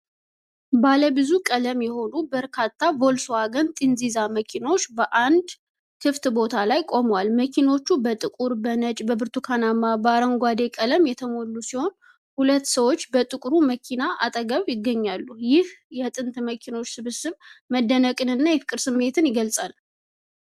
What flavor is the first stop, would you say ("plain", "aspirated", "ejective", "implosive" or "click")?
plain